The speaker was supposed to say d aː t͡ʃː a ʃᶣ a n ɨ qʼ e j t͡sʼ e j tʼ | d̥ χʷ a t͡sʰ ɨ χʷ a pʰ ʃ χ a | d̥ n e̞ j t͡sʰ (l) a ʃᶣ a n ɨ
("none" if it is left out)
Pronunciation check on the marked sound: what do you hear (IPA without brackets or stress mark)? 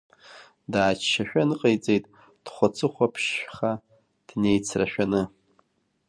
r